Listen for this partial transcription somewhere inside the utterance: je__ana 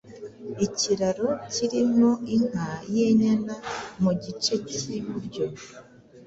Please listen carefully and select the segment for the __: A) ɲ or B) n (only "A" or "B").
A